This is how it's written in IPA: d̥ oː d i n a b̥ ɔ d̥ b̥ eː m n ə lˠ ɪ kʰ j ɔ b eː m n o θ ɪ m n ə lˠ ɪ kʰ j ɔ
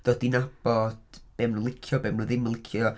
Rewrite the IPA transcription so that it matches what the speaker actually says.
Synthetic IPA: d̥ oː d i n a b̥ ɔ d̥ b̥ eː m n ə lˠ ɪ kʰ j ɔ b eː m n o ð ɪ m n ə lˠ ɪ kʰ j ɔ